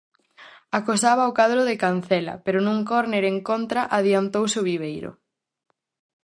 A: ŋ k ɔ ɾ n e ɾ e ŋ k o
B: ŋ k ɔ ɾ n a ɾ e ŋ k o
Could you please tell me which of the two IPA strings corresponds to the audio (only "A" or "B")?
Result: A